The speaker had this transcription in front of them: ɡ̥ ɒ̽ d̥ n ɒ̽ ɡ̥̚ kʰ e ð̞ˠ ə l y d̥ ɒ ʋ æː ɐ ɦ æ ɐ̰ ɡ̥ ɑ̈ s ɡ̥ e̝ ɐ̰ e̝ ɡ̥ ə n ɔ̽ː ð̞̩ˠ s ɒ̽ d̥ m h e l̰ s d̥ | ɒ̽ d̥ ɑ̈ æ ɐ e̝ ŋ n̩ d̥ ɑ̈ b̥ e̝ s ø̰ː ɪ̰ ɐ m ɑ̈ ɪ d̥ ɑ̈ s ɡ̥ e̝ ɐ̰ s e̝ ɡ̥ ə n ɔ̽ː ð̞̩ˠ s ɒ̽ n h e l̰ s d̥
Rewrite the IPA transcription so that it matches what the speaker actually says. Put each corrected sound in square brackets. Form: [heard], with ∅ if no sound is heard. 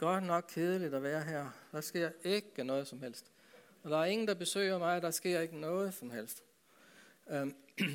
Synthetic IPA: ɡ̥ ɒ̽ d̥ n ɒ̽ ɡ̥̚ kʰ e ð̞ˠ ə l [i] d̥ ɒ ʋ æː ɐ ɦ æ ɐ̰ [d̥] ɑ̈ s ɡ̥ e̝ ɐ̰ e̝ ɡ̥ ə n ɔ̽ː ð̞̩ˠ s ɒ̽ [∅] m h e l̰ s d̥ | ɒ̽ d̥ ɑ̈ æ ɐ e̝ ŋ n̩ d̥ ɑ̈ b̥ e̝ s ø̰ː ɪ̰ ɐ m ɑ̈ ɪ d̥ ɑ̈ s ɡ̥ e̝ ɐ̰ [∅] e̝ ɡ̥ ə n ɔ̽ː ð̞̩ˠ s ɒ̽ [m] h e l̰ s d̥